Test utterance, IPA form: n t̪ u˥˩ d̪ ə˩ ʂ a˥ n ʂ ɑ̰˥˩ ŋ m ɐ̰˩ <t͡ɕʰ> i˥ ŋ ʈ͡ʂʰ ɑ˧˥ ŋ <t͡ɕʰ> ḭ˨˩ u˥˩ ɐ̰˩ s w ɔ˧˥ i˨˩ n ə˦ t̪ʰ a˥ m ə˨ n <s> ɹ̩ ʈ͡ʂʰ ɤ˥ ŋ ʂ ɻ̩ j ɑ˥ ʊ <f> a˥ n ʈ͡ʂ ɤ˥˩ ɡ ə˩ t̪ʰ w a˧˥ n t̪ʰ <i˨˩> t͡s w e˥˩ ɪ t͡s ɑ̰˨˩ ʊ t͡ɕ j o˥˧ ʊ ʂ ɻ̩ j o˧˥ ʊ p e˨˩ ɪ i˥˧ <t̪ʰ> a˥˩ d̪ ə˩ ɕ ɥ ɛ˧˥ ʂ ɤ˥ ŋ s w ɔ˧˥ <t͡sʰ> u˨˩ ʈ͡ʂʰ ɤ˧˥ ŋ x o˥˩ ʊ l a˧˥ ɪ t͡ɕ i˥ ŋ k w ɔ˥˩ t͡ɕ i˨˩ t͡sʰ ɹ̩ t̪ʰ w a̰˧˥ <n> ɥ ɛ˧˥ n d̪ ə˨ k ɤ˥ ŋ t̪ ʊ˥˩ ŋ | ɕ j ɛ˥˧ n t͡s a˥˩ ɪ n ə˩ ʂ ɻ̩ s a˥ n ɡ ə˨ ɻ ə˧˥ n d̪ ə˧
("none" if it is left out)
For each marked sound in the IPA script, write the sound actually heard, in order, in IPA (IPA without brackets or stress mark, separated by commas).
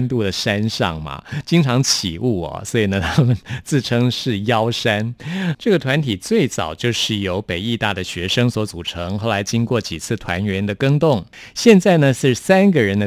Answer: t͡ɕ, t͡ɕʰ, t͡s, ʂ, i˨˩, t̪, t͡s, n